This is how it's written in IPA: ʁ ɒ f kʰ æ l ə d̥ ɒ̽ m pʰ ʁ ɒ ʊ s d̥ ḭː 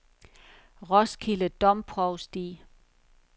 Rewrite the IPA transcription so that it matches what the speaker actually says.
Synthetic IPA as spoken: ʁ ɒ s kʰ i l ə d̥ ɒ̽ m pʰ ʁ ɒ ʊ s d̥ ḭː